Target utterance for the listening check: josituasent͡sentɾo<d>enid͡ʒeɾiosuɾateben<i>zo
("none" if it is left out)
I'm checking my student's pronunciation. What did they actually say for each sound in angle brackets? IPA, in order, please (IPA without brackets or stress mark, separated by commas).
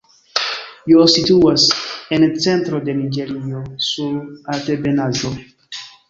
d, a